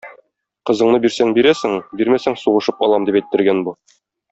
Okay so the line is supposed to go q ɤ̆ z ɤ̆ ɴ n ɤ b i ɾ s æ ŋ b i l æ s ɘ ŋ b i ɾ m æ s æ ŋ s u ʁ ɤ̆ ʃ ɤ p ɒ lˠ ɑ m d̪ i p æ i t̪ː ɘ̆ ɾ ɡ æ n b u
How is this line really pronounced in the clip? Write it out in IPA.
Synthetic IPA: q ɤ̆ z ɤ̆ ɴ n ɤ b i ɾ s æ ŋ b i ɾ æ s ɘ ŋ b i ɾ m æ s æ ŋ s u ʁ ɤ̆ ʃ ɤ p ɒ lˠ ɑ m d̪ i p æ j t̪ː ɘ̆ ɾ ɡ æ n b u